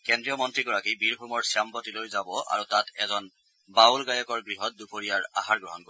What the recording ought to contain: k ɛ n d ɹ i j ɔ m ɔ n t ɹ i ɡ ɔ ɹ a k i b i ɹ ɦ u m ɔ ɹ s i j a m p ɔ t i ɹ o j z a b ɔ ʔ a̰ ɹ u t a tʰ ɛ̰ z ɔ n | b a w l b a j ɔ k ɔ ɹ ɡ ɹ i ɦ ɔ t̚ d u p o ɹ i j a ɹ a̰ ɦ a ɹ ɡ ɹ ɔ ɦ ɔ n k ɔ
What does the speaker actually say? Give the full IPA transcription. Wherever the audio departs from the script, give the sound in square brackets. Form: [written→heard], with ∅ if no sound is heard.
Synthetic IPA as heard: k ɛ n d ɹ i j ɔ m ɔ n t ɹ i ɡ ɔ ɹ a k i b i ɹ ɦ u m ɔ ɹ s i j a m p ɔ t i [ɹ→l] o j z a b ɔ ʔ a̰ ɹ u t a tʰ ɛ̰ z ɔ n | b a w l [b→ɡ] a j ɔ k ɔ ɹ ɡ ɹ i ɦ ɔ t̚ d u p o ɹ i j a ɹ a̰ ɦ a ɹ ɡ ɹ ɔ ɦ ɔ n k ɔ